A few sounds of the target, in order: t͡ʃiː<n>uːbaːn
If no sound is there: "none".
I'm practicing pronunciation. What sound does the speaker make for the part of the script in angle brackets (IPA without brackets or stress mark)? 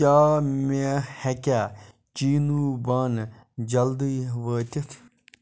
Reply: n